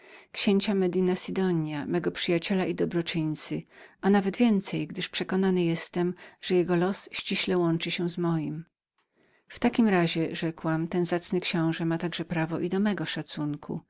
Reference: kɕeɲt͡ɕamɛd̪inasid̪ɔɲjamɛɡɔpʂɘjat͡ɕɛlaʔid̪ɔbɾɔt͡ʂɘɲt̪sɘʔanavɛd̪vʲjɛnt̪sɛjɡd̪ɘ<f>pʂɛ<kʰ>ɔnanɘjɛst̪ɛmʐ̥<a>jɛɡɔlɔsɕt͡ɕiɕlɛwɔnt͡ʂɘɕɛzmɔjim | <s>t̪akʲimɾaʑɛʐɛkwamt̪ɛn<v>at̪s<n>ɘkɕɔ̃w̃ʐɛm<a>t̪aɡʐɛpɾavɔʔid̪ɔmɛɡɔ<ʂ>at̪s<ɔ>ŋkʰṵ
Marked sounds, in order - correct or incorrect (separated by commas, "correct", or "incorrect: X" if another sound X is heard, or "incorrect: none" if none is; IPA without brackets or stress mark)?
incorrect: ʂ, incorrect: k, incorrect: ɛ, incorrect: f, incorrect: z, correct, correct, correct, incorrect: u